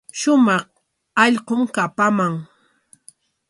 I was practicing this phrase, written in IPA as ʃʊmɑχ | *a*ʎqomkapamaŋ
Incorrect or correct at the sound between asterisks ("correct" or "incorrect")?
incorrect